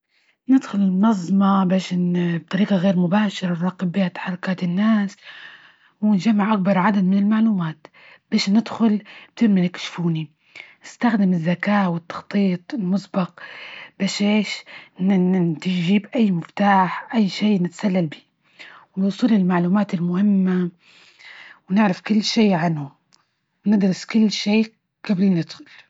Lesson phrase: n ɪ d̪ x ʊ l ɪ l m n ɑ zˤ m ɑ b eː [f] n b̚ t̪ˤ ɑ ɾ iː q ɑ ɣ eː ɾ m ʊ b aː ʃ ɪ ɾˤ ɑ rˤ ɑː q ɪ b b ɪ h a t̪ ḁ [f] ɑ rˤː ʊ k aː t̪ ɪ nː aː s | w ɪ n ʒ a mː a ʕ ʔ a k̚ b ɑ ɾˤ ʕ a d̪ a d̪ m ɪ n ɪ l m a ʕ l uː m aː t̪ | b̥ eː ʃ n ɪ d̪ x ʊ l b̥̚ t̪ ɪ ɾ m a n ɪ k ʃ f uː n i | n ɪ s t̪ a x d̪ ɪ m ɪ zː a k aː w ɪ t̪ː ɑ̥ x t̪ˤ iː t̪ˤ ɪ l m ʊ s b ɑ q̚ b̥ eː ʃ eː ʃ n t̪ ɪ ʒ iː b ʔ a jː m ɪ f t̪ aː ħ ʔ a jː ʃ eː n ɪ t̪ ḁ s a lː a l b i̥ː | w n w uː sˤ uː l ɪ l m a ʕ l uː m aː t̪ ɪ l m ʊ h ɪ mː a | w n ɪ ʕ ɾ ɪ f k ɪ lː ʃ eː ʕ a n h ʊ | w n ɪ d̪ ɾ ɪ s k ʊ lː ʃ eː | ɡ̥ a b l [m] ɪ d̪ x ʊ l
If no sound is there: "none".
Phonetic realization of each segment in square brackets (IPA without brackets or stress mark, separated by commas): ʃ, ħ, n